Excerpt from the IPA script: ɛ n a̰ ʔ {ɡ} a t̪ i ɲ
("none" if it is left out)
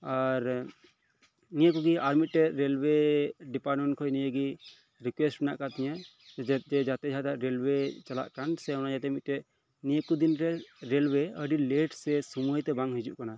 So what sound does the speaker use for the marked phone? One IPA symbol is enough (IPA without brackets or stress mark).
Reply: k